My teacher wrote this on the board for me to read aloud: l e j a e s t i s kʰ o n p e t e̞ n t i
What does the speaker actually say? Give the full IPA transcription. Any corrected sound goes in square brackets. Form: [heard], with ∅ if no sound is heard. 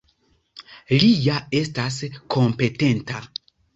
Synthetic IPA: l [i] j a e s t [a] s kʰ o [m] p e t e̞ n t [a]

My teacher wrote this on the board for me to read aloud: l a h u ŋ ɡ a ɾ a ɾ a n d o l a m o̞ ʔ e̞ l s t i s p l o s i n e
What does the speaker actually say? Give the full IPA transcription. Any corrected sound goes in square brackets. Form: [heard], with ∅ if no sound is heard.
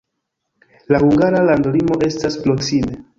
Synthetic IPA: l a h u ŋ ɡ a ɾ a [l] a n d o l [i] m o̞ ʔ e̞ [∅] s t [a] s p l o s i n e

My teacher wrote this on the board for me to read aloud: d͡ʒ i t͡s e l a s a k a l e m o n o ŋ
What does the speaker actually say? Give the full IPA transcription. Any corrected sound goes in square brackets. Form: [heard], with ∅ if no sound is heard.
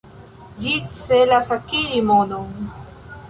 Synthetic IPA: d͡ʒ i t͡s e l a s a k [i] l [i] m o n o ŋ

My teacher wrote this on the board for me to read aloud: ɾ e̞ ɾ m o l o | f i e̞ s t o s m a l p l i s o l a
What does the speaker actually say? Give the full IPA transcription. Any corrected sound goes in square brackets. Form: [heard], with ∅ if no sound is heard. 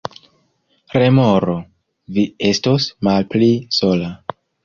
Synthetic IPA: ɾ e̞ [∅] m o [ɾ] o | [v] i e̞ s t o s m a l p l i s o l a

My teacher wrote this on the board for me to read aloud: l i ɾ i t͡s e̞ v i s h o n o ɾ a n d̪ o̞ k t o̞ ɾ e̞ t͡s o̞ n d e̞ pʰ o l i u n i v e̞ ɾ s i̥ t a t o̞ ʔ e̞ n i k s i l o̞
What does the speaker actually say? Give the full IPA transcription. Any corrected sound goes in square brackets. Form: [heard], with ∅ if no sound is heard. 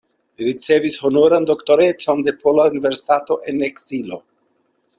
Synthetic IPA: l i ɾ i t͡s e̞ v i s h o n o ɾ a n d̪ o̞ k t o̞ ɾ e̞ t͡s o̞ n d e̞ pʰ o l [a] u n i v e̞ ɾ s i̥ t a t o̞ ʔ e̞ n [e] k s i l o̞

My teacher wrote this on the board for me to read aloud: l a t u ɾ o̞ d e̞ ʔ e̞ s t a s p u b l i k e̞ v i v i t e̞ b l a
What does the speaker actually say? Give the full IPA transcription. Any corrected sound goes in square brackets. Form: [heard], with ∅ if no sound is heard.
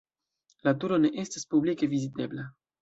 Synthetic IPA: l a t u ɾ o̞ [n] e̞ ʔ e̞ s t a s p u b l i k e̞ v i [z] i t e̞ b l a

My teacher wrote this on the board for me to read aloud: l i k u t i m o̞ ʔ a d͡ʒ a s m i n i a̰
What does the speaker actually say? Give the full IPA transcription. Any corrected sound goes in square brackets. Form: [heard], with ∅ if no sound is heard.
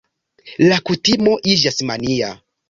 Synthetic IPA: l [a] k u t i m o̞ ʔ [i] d͡ʒ a s m [a] n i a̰

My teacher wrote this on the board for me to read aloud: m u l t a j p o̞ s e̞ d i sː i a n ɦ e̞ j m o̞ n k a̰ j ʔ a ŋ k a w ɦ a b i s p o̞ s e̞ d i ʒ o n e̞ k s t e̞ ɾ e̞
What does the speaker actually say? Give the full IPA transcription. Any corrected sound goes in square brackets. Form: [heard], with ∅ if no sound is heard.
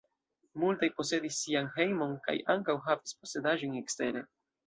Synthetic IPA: m u l t a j p o̞ s e̞ d i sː i a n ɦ e̞ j m o̞ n k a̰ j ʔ a ŋ k a w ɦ a [v] i s p o̞ s e̞ d [a] ʒ o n e̞ k s t e̞ ɾ e̞

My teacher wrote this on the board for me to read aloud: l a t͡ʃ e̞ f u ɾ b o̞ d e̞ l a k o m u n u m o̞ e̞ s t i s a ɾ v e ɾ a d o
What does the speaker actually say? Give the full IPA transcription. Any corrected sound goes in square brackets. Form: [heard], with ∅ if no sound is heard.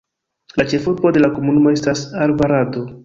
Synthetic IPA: l a t͡ʃ e̞ f u ɾ b o̞ d e̞ l a k o m u n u m o̞ e̞ s t [a] s a ɾ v [a] ɾ a d o

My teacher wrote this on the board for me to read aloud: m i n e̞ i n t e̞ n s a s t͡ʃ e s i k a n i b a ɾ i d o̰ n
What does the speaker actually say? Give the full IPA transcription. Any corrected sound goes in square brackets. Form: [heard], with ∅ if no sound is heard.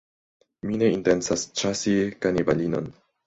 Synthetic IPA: m i n e̞ i n t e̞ n s a s t͡ʃ [a] s i k a n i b a [l] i [n] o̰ n

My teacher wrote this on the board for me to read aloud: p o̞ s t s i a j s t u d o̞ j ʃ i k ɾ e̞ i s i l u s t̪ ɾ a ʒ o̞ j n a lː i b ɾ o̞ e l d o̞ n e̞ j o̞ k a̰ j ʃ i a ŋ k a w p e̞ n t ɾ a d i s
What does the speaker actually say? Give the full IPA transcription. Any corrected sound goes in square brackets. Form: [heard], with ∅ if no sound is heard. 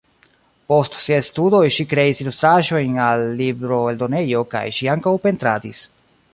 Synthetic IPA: p o̞ s t s i a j s t u d o̞ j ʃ i k ɾ e̞ i s i l u s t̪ ɾ a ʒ o̞ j n a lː i b ɾ o̞ e l d o̞ n e̞ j o̞ k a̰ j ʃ i a ŋ k a w p e̞ n t ɾ a d i s

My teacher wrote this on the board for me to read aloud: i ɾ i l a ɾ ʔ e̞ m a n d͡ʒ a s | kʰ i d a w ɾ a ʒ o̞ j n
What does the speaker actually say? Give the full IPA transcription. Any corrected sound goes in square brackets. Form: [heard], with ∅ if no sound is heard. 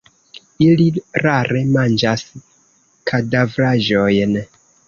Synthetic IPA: i [l] i [ɾ] a ɾ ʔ e̞ m a n d͡ʒ a s | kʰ [a] d a [v] ɾ a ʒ o̞ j n

